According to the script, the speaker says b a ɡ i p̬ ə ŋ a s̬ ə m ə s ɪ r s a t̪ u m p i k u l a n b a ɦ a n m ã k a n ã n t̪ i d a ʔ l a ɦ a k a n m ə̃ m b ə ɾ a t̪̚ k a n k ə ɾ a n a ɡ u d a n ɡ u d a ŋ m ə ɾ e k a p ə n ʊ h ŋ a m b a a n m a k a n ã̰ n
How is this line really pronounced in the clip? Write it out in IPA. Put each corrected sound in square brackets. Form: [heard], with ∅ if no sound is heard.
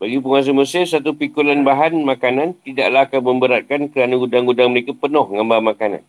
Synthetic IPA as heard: b a ɡ i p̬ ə ŋ a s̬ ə m ə s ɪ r s a t̪ u [∅] p i k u l a n b a ɦ a n m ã k a n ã n t̪ i d a ʔ l a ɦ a k a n m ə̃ m b ə ɾ a t̪̚ k a n k ə ɾ a n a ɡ u d a [ŋ] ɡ u d a ŋ m ə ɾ e k a p ə n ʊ h ŋ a m b a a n m a k a n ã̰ n